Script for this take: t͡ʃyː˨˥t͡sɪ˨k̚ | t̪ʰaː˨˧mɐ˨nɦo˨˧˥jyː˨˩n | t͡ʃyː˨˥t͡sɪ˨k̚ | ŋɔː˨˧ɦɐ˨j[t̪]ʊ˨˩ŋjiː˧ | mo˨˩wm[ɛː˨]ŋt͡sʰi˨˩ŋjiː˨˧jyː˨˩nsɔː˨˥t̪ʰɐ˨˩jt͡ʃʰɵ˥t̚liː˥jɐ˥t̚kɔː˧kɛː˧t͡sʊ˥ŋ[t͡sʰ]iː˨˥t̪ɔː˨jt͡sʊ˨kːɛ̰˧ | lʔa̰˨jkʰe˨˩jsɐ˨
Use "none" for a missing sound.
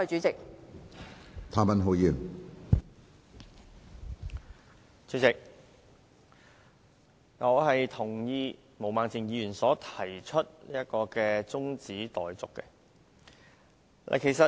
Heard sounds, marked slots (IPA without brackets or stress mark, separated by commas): t̪ʰ, aː˨, t͡s